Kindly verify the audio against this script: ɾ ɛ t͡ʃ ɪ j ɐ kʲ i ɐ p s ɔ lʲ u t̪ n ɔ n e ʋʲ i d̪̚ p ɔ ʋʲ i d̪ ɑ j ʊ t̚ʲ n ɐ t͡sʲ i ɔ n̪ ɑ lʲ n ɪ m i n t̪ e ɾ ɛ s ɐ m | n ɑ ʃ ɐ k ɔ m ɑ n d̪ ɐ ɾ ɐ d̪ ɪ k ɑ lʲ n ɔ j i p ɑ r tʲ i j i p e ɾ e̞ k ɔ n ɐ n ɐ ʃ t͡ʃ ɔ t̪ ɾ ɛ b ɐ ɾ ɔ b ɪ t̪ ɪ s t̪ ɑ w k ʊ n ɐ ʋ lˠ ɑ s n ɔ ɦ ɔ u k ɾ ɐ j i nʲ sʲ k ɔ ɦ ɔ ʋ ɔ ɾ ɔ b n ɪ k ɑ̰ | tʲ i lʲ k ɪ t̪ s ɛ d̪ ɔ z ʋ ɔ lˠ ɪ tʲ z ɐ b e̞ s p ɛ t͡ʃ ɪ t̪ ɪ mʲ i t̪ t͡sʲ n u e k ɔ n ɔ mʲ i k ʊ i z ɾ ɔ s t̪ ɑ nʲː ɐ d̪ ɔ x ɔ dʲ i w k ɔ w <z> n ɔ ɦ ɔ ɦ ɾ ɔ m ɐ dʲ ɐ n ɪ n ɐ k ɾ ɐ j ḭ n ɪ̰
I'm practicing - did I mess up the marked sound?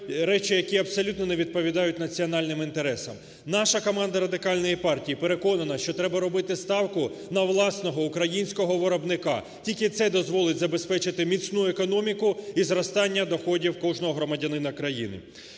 yes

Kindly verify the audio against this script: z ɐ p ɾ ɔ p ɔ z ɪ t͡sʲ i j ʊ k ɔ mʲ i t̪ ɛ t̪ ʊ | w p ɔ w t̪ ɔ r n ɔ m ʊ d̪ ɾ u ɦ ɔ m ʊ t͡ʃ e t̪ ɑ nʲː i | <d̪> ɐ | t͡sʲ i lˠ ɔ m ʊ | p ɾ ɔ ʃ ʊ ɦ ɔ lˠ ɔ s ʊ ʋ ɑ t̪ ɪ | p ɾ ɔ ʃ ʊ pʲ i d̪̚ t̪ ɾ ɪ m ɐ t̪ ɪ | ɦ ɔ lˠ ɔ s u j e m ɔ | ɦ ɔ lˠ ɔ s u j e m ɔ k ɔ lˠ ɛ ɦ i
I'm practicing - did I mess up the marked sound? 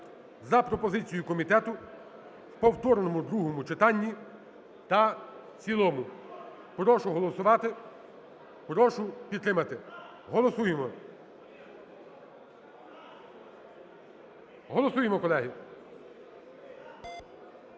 yes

